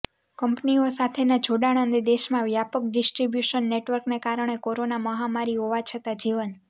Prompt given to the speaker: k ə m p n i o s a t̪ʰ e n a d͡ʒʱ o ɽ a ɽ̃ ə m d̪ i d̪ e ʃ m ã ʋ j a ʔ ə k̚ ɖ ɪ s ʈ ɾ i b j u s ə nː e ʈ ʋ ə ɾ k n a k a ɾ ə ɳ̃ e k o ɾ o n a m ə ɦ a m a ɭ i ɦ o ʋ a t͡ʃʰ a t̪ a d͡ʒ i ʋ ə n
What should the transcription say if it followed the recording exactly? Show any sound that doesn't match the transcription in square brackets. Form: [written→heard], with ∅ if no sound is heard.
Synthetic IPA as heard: k ə m p n i o s a t̪ʰ e n a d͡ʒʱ o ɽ a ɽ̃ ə [m→n] d̪ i d̪ e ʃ m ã ʋ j a [ʔ→p] ə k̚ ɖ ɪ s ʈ ɾ i b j u [s→ʃ] ə nː e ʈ ʋ ə ɾ k n [a→e] k a ɾ ə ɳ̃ e k o ɾ o n a m ə ɦ a m a [ɭ→ɾ] i ɦ o ʋ a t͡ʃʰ [a→ə] t̪ a d͡ʒ i ʋ ə n